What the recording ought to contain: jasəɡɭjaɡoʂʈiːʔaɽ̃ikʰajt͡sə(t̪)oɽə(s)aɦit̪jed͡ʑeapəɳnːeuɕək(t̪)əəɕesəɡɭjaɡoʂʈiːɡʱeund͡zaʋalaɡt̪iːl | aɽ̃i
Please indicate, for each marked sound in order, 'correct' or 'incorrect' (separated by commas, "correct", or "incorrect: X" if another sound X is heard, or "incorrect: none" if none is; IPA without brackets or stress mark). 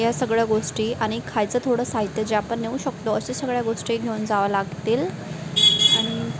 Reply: incorrect: t̪ʰ, correct, correct